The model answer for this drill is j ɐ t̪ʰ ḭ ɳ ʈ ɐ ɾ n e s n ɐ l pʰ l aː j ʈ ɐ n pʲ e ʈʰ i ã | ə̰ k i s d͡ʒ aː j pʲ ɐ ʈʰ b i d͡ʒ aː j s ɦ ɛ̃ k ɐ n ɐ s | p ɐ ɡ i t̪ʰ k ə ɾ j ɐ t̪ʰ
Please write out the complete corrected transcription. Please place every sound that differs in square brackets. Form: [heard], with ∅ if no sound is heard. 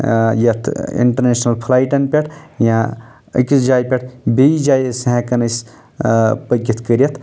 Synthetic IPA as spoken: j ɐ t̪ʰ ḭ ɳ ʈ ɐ ɾ n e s n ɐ l pʰ l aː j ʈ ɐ n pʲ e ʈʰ [j] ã | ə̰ k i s d͡ʒ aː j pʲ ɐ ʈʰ b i d͡ʒ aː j s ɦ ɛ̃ k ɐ n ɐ s | p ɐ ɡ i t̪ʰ k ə ɾ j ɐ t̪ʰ